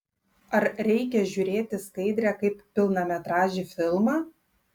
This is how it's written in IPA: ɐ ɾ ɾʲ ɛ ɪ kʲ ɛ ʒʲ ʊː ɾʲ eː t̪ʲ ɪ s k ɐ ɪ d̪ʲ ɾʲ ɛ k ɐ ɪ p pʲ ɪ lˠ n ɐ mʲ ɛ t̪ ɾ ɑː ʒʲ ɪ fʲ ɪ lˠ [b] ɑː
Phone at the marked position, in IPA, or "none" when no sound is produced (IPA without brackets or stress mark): m